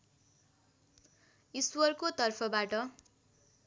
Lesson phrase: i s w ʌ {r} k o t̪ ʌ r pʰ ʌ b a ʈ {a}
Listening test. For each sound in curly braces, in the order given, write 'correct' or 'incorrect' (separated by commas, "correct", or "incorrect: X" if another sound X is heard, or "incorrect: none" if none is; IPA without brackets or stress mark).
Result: correct, incorrect: ʌ